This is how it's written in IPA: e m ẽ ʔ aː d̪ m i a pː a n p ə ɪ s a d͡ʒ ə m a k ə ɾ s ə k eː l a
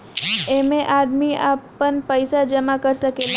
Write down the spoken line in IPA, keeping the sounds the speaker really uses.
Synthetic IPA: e m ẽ ʔ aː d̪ m i a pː ə n p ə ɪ s a d͡ʒ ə m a k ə ɾ s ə k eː l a